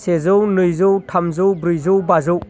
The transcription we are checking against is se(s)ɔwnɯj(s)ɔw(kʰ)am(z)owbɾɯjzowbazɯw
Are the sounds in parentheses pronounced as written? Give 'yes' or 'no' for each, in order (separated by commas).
no, no, no, yes